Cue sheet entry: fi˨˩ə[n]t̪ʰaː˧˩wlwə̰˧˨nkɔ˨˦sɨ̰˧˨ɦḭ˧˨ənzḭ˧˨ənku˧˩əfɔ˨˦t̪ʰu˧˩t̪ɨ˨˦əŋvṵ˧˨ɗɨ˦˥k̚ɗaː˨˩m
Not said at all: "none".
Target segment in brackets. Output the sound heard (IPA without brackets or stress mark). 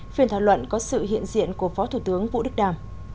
n